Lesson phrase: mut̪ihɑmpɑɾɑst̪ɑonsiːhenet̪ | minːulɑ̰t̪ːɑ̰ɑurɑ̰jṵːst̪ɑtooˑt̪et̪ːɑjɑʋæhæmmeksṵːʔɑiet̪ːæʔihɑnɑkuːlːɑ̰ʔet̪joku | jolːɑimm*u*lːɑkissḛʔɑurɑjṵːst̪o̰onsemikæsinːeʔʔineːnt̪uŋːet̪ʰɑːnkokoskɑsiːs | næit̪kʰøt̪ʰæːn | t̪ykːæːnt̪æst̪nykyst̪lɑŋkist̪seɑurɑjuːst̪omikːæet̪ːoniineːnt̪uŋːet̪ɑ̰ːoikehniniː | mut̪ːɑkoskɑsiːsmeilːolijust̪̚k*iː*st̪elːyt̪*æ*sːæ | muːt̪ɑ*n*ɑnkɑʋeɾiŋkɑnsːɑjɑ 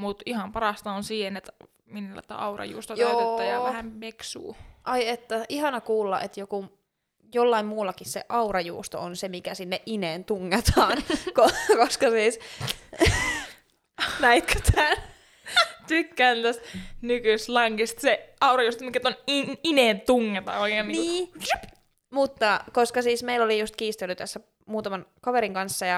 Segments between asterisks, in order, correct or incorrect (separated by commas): incorrect, correct, correct, incorrect